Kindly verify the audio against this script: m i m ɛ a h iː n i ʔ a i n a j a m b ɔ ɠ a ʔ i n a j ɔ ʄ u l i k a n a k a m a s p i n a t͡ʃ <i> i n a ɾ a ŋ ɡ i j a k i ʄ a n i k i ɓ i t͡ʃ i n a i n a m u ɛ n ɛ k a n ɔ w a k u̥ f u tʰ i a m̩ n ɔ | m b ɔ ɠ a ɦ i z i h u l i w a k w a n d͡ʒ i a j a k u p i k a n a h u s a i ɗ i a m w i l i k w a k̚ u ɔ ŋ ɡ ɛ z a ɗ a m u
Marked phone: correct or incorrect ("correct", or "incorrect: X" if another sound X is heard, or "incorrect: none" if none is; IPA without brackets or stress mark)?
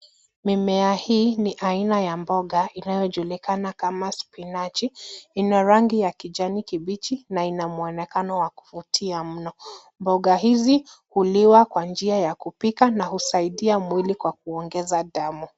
correct